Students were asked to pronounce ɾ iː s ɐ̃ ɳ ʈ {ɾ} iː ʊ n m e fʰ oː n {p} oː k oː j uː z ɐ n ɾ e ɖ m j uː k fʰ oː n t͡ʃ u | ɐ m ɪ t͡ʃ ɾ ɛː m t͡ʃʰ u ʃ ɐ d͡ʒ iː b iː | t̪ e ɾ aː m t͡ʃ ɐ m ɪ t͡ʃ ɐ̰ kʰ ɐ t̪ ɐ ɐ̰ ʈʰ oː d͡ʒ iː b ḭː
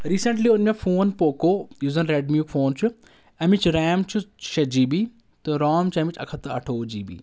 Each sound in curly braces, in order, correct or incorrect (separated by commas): incorrect, correct